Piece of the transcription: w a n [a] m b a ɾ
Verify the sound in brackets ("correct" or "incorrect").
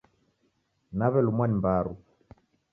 incorrect